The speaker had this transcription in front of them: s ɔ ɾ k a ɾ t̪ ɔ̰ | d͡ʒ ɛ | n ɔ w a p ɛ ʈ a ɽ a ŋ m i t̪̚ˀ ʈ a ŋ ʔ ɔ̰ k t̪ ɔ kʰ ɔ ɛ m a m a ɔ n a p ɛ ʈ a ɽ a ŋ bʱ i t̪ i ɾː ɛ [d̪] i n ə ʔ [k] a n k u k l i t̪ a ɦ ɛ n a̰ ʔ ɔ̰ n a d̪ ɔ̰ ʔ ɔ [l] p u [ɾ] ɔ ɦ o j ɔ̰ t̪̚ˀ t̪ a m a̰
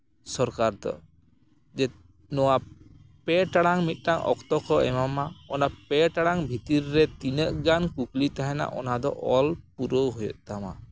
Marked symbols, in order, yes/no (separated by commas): no, no, yes, yes